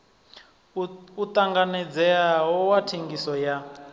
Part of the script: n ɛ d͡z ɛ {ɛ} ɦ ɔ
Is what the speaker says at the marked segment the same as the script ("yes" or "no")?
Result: no